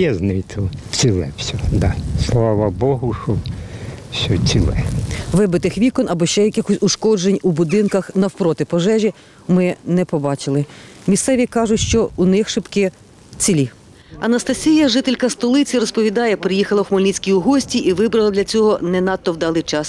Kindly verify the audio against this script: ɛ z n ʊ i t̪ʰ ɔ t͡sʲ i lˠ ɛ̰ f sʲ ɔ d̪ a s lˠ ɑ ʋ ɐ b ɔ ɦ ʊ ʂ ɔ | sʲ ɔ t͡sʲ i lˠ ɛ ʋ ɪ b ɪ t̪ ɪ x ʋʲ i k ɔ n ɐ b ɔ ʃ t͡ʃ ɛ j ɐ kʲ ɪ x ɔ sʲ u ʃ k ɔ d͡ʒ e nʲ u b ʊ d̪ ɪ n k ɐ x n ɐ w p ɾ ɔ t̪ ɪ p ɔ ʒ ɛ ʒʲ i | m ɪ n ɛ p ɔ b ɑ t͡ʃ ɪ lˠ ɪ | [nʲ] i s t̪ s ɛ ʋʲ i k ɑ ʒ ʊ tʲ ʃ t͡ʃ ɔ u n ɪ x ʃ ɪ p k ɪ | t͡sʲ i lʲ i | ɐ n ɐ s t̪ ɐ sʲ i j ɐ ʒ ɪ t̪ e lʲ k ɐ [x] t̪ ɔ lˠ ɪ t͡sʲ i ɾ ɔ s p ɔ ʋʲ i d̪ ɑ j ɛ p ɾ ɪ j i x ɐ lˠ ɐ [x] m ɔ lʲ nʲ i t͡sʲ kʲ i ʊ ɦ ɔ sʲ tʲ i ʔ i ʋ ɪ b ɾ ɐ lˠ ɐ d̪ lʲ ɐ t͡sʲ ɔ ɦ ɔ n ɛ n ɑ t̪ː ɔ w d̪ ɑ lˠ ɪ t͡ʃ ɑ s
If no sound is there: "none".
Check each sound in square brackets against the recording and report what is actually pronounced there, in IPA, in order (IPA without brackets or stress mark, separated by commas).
mʲ, s, x